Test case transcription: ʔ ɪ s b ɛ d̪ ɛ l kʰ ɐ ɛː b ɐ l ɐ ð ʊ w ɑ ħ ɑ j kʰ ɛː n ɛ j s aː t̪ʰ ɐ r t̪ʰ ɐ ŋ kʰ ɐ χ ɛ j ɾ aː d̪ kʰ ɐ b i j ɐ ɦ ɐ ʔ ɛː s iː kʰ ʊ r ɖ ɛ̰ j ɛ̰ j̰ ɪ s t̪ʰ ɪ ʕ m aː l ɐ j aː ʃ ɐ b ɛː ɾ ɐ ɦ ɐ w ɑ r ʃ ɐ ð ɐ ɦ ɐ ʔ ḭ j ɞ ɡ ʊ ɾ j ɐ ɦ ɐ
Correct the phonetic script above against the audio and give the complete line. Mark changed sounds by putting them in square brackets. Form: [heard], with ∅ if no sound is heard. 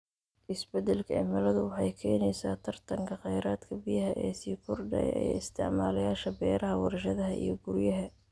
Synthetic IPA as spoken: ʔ ɪ s b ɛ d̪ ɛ l kʰ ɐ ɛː [m] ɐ l ɐ ð ʊ w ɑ ħ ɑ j kʰ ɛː n ɛ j s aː t̪ʰ ɐ r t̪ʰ ɐ ŋ kʰ ɐ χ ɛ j ɾ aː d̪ kʰ ɐ b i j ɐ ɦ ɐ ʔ ɛː s iː kʰ ʊ r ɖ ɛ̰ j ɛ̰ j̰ ɪ s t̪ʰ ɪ ʕ m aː l ɐ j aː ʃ ɐ b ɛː ɾ ɐ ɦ ɐ w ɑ r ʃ ɐ ð ɐ ɦ ɐ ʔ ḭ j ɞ ɡ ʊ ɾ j ɐ ɦ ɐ